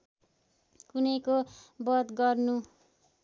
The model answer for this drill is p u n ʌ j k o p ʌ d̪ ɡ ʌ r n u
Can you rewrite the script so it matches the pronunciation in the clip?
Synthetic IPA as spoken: k u n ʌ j k o b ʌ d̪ ɡ ʌ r n u